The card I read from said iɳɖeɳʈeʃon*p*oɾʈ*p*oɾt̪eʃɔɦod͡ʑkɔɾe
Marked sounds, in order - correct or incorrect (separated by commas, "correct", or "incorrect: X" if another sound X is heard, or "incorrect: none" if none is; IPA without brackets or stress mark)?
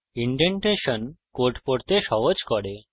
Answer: incorrect: k, correct